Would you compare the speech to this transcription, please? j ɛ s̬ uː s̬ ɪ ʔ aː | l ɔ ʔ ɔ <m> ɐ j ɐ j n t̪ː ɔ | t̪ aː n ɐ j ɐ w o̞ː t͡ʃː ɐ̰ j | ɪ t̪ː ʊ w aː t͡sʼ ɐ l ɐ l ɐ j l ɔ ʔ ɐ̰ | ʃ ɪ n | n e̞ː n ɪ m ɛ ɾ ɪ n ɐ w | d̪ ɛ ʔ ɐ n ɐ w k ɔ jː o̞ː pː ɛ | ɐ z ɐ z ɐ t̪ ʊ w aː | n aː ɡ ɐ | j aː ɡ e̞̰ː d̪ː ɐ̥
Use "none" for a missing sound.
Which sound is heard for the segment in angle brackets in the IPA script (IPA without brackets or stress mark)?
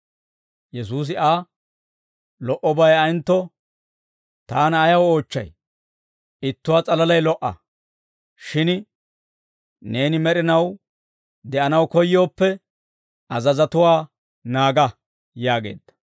b